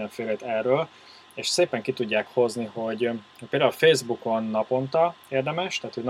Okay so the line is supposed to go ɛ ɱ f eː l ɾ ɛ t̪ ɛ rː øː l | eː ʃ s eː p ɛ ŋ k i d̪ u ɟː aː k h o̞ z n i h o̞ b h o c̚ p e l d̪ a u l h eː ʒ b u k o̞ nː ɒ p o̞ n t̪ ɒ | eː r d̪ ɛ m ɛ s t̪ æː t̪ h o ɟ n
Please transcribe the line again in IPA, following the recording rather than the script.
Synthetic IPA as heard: ɛ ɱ f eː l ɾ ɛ t̪ ɛ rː øː l | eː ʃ s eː p ɛ ŋ k i t̪ u ɟː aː k h o̞ z n i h o̞ ɟ h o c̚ p e l d̪ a u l f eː z b u k o̞ nː ɒ p o̞ n t̪ ɒ | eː r d̪ ɛ m ɛ ʃ t̪ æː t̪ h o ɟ n